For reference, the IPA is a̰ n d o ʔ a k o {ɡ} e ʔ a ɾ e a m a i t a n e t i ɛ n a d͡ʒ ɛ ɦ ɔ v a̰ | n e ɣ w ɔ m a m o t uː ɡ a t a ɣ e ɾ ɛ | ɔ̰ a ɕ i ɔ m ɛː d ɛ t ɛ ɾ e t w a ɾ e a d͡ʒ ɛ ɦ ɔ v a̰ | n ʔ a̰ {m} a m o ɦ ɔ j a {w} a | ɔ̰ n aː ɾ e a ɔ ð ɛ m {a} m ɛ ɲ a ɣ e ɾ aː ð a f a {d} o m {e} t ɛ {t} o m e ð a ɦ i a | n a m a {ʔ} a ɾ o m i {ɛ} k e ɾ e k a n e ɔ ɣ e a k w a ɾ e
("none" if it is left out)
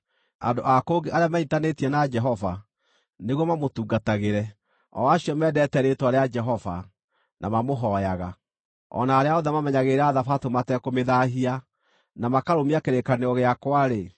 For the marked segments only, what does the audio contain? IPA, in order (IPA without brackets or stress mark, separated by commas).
ɡ, m, ɣ, a, t, a, k, k, a